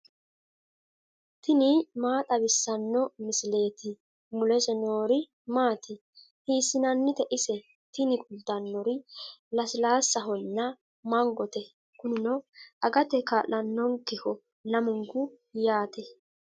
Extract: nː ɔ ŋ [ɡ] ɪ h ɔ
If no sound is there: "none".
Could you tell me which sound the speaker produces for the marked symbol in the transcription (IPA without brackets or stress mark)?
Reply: k